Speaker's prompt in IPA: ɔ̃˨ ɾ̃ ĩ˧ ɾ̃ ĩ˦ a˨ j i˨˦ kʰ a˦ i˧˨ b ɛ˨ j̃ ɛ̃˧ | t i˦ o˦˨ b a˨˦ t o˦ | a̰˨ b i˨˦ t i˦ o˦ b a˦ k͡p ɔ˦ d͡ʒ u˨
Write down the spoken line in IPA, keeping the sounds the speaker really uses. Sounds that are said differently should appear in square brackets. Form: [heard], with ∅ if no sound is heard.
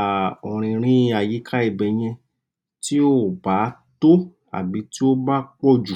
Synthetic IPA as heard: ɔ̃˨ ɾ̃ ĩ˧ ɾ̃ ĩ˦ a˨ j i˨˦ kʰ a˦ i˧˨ b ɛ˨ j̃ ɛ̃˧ | t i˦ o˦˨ b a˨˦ t o˦ | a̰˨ b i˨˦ t i˦ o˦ b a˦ k͡p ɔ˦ d͡ʒ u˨